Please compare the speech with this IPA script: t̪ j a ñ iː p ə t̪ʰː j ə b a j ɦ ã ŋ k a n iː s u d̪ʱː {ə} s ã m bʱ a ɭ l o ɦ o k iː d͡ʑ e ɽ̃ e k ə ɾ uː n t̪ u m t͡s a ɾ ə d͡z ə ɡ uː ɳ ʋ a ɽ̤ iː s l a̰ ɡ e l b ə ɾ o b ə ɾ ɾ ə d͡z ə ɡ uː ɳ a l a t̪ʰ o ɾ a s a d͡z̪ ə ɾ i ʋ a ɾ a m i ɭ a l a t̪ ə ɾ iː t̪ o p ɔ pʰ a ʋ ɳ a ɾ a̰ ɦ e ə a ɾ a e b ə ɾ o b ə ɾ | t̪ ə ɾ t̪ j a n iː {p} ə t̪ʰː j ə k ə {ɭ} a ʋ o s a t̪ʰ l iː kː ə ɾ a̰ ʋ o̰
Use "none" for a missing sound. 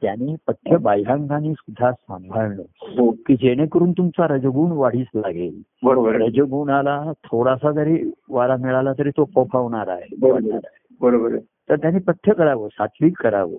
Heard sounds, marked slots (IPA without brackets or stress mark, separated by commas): a, p, ɾ